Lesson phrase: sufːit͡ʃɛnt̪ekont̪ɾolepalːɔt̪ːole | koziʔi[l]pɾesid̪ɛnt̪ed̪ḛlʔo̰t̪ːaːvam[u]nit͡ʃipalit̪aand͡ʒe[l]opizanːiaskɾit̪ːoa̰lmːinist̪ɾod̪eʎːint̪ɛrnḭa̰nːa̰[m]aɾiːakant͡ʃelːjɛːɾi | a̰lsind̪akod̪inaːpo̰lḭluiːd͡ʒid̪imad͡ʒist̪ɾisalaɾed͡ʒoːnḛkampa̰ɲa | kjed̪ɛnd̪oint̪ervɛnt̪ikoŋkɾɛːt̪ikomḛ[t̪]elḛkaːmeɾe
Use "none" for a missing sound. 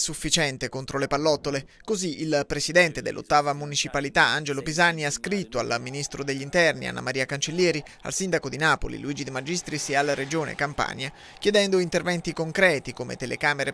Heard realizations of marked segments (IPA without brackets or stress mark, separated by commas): l, u, l, m, t̪